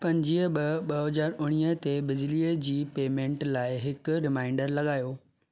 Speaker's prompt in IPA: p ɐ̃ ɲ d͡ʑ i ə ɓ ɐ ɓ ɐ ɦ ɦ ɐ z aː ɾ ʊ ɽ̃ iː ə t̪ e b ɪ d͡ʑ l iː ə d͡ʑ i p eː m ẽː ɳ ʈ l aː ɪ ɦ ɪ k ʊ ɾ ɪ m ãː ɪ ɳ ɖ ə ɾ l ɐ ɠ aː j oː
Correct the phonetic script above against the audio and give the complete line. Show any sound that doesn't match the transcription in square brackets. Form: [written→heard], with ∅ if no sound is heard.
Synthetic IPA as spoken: p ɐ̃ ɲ d͡ʑ i ə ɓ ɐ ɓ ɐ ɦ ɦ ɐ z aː ɾ ʊ ɽ̃ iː ə t̪ e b ɪ d͡ʑ l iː ə d͡ʑ [i→iː] p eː m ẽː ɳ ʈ l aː ɪ ɦ ɪ k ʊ ɾ ɪ m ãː ɪ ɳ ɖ ə ɾ l ɐ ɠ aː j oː